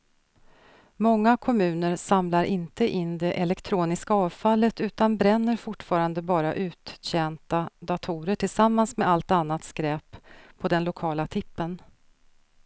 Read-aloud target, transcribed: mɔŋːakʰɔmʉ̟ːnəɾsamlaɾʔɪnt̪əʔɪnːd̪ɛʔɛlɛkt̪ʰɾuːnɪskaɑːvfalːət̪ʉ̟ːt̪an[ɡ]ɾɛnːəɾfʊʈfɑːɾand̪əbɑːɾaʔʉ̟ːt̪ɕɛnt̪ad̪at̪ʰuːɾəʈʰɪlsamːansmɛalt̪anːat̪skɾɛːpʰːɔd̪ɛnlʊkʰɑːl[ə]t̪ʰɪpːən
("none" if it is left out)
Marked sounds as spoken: b, a

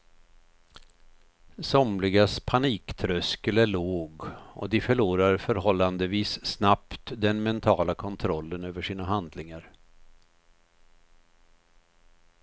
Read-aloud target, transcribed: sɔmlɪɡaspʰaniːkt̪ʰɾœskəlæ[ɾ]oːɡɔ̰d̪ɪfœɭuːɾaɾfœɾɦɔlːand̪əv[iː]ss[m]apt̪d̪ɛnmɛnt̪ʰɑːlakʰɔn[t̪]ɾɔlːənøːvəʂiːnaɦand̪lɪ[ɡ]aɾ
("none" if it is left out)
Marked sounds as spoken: ɭ, iː, n, t̪ʰ, ŋ

